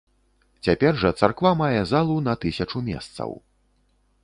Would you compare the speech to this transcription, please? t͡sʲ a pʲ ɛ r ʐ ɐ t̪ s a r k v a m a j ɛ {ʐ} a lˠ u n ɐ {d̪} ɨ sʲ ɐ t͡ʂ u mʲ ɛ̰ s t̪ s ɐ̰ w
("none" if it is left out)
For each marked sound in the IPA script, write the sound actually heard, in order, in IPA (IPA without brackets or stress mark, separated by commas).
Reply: z, t̪